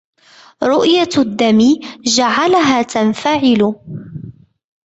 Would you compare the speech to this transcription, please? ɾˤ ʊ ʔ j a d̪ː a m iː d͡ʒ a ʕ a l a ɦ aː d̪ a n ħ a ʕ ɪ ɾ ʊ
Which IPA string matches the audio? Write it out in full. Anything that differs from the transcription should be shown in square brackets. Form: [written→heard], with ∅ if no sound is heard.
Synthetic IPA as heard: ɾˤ ʊ ʔ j a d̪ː a m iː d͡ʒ a ʕ a l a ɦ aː [d̪→t̪] a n [ħ→f] a ʕ ɪ [ɾ→l] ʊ